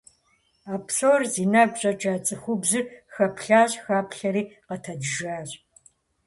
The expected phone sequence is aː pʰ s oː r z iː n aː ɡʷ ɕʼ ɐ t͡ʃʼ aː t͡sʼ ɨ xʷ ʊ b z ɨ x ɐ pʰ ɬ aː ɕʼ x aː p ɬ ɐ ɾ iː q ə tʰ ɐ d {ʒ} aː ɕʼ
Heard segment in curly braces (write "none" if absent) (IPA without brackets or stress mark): ʒ